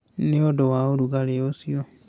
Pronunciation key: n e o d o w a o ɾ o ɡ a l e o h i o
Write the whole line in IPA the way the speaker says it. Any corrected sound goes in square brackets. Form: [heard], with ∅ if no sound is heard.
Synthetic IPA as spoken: n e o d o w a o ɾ [u] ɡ a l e o [s] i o